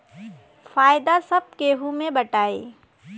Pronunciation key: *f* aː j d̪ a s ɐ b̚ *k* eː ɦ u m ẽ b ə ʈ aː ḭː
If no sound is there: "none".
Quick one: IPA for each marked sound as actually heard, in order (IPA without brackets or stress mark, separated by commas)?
f, k